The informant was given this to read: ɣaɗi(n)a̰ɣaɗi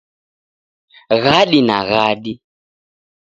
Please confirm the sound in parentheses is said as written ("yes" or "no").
yes